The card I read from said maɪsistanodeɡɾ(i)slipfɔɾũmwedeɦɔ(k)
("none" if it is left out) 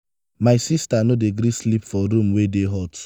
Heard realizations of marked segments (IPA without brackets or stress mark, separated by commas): i, t